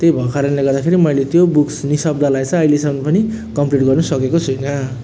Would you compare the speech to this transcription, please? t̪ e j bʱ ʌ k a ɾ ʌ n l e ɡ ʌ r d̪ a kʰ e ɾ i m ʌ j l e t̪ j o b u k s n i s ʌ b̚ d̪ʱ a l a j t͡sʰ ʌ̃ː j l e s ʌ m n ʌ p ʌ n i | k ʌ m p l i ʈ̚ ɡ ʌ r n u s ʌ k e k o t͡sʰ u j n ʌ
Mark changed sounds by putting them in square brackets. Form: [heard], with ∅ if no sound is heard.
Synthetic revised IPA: t̪ e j bʱ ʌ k a ɾ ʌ n l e ɡ ʌ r d̪ a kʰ e ɾ i m ʌ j l e t̪ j o b u k s n i s ʌ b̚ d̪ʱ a l a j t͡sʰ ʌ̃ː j l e s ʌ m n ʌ p ʌ n i | k ʌ m p l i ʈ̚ ɡ ʌ r n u s ʌ k e k o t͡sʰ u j n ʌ